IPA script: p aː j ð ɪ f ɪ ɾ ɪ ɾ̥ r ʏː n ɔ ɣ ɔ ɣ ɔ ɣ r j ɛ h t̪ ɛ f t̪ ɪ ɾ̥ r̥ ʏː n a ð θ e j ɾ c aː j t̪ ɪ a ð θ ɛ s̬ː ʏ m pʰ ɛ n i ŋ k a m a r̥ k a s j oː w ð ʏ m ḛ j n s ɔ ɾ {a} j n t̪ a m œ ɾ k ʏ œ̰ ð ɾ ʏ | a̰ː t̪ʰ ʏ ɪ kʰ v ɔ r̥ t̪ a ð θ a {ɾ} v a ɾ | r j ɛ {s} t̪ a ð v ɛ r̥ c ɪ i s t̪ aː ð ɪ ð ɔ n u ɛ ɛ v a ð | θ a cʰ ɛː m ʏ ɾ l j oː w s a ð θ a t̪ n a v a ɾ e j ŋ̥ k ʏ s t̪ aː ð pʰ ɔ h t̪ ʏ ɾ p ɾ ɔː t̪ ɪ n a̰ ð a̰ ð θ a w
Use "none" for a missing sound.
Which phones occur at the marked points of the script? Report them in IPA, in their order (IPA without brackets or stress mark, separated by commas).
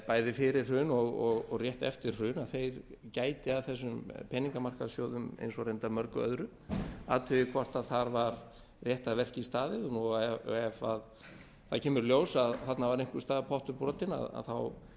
e, ɾ, h